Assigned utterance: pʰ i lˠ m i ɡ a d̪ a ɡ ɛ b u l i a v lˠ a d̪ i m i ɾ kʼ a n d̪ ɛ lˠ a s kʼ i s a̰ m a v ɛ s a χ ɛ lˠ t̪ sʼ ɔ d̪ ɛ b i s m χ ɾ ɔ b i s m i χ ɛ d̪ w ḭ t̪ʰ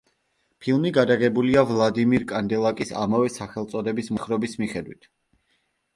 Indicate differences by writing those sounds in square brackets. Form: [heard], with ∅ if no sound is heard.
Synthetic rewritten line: pʰ i lˠ m i ɡ a d̪ a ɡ ɛ b u l i a v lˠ a d̪ i m i ɾ kʼ a n d̪ ɛ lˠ a [∅] kʼ i s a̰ m a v ɛ s a χ ɛ lˠ t̪ sʼ ɔ d̪ ɛ b i s m χ ɾ ɔ b i s m i χ ɛ d̪ w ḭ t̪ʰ